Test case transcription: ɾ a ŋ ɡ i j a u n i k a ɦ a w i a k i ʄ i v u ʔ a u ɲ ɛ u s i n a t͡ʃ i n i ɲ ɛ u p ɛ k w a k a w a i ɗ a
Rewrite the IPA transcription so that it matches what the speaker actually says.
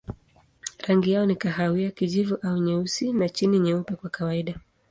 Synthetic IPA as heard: ɾ a ŋ ɡ i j a ɔ n i k a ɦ a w i a k i ʄ i v u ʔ a u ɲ ɛ u s i n a t͡ʃ i n i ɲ ɛ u p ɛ k w a k a w a i ɗ a